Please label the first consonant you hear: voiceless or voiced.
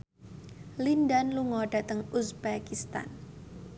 voiced